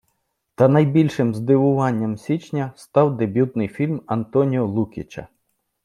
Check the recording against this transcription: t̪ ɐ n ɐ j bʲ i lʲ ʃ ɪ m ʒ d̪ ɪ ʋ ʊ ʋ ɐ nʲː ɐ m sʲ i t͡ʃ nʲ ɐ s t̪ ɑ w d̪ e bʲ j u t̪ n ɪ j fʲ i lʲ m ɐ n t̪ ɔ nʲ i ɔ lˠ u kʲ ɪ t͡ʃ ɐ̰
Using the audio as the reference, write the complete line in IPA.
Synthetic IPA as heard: t̪ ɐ n ɐ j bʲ i lʲ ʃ ɪ m z d̪ ɪ ʋ ʊ ʋ ɑ nʲː ɐ m sʲ i t͡ʃ nʲ ɐ s t̪ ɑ w d̪ e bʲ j u t̪ n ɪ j fʲ i lʲ m ɐ n t̪ ɔ nʲ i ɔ lˠ u kʲ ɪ t͡ʃ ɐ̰